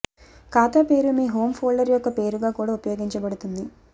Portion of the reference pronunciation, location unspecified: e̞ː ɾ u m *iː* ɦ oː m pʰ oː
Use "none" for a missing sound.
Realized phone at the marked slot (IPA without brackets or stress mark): iː